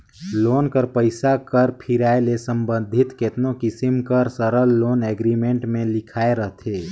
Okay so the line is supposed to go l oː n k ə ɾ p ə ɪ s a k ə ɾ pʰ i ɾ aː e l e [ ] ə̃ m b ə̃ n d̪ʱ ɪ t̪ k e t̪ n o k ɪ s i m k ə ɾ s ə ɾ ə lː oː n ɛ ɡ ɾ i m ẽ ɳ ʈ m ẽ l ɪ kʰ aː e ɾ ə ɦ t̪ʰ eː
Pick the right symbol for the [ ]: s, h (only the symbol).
s